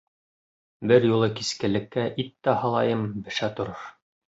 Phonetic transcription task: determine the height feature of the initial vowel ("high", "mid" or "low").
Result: mid